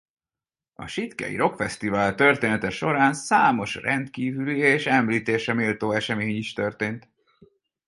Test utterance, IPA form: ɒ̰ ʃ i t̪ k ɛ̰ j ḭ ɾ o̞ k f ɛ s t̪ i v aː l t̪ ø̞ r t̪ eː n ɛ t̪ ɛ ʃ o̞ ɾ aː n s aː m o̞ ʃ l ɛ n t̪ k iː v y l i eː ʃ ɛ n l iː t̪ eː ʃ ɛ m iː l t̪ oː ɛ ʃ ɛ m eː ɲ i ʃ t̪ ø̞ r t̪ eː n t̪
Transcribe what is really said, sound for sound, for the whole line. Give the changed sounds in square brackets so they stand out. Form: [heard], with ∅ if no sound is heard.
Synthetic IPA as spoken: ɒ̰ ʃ i t̪ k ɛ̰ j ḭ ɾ o̞ k f ɛ s t̪ i v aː l t̪ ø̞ r t̪ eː n ɛ t̪ ɛ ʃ o̞ ɾ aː n s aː m o̞ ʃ [r] ɛ n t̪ k iː v y l i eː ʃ ɛ [m] l iː t̪ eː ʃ ɛ m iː l t̪ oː ɛ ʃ ɛ m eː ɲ i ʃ t̪ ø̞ r t̪ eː n t̪